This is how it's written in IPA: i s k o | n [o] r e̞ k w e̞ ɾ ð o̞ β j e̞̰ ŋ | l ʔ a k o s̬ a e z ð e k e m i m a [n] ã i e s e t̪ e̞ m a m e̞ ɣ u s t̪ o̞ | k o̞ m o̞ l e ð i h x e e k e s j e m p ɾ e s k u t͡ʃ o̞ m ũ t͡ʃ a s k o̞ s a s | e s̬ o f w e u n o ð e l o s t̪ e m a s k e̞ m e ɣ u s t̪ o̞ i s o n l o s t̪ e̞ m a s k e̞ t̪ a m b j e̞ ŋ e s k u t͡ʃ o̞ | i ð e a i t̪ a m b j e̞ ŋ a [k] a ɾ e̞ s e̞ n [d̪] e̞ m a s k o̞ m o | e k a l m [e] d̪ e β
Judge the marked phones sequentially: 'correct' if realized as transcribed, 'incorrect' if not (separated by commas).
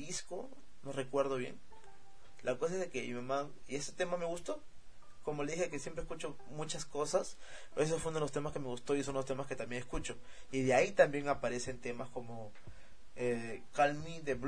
correct, incorrect, incorrect, incorrect, incorrect